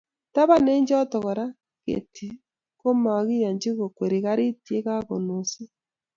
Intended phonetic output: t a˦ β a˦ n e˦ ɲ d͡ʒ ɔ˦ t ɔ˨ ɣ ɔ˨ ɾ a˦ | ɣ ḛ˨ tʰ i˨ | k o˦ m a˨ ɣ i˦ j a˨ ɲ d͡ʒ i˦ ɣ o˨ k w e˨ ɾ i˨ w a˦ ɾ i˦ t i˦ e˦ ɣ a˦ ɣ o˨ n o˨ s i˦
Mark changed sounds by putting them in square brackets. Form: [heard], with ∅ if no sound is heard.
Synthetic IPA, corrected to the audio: t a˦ β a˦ n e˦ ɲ d͡ʒ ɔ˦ t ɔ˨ ɣ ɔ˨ ɾ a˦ | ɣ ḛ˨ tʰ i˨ | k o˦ m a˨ ɣ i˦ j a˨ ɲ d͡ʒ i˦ ɣ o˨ k w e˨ ɾ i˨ [ɣ] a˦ ɾ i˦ t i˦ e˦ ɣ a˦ ɣ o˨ n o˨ s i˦